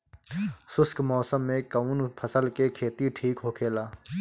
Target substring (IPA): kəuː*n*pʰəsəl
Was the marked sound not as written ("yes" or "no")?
no